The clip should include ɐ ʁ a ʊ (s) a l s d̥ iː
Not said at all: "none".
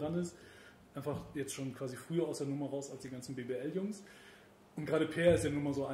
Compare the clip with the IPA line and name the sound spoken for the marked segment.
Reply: s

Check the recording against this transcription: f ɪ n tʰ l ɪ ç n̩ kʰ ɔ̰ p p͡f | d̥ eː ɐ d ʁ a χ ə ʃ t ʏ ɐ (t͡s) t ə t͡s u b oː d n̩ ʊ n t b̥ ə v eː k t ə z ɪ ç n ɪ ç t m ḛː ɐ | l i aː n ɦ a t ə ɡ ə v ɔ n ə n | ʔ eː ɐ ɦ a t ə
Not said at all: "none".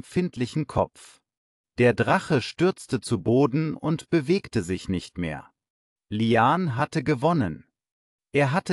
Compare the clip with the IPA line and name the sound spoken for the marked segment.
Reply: t͡s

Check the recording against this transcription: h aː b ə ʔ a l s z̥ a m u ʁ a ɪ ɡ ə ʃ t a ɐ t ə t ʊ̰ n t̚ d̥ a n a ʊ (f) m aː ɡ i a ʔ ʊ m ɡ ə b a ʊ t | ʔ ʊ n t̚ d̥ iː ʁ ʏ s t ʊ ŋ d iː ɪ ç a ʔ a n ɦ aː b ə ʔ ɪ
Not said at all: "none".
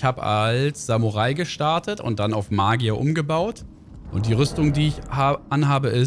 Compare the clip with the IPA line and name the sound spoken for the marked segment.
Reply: f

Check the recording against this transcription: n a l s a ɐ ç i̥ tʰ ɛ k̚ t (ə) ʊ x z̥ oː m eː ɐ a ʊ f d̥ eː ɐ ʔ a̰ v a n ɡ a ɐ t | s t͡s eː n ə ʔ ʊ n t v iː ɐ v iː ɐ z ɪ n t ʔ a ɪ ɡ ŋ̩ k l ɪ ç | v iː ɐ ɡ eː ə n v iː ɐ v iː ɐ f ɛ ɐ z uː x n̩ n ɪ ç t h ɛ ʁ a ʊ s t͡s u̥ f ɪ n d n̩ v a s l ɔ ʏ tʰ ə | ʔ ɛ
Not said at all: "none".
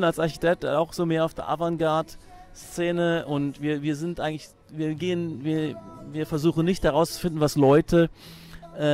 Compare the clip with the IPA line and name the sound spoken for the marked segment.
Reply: a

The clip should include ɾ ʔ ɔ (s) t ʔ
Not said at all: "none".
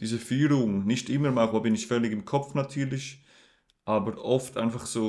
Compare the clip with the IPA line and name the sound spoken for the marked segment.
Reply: f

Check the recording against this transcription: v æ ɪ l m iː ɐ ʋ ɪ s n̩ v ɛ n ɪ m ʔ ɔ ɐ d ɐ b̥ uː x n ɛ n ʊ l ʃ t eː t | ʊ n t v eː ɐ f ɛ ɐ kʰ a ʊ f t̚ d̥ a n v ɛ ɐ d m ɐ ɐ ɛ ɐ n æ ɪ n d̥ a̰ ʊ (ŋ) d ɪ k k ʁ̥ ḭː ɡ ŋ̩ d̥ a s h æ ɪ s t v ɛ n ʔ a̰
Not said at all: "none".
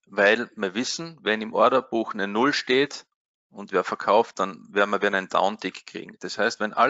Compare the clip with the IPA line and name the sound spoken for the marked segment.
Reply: n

